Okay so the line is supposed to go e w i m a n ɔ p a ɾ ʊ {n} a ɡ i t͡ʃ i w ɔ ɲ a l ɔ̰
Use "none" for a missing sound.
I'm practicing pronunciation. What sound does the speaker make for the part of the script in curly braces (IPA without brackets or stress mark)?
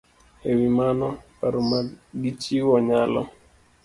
m